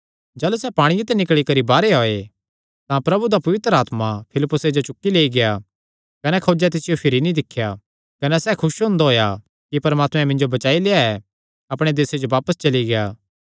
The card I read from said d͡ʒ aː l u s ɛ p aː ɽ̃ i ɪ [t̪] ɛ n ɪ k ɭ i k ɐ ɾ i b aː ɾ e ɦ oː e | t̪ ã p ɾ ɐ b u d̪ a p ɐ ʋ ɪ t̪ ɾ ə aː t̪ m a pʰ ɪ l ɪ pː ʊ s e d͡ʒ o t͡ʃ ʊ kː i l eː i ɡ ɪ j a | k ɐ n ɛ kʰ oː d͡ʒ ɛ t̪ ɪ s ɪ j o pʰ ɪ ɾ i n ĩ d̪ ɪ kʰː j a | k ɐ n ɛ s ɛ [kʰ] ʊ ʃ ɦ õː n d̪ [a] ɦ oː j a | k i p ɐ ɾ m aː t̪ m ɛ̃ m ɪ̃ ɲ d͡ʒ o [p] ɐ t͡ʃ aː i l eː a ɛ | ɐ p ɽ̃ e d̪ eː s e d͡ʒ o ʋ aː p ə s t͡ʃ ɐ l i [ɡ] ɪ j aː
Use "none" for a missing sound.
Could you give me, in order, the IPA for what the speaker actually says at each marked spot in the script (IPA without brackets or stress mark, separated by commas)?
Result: t̪, kʰ, a, b, ɡ